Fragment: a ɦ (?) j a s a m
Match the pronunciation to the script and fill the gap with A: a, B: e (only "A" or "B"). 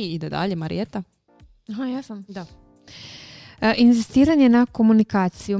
A